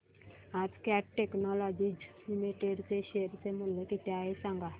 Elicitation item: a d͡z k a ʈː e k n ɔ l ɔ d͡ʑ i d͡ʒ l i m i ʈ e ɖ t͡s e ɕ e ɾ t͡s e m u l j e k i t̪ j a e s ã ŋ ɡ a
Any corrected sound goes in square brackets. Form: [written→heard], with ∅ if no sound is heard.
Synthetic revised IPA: a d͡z k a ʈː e k n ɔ l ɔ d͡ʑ i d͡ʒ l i m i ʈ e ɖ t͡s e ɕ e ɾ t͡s e m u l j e k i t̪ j a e s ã ŋ ɡ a